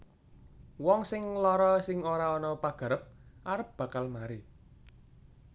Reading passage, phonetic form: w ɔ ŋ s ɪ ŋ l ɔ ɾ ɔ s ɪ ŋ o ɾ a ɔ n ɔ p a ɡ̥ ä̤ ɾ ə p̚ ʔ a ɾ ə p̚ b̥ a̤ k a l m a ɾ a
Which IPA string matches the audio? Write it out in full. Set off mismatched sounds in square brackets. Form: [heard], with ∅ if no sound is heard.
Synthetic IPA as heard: w ɔ ŋ s ɪ ŋ l ɔ ɾ ɔ s ɪ ŋ o ɾ a ɔ n ɔ p a ɡ̥ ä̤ ɾ ə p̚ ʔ a ɾ ə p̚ b̥ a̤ k a l m a ɾ [i]